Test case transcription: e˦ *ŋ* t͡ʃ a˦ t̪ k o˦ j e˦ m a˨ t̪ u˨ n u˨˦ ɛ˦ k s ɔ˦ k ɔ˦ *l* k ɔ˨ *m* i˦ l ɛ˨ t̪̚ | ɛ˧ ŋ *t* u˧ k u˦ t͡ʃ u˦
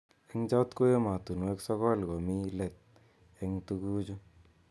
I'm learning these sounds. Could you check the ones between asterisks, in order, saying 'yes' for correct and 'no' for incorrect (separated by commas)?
yes, yes, yes, yes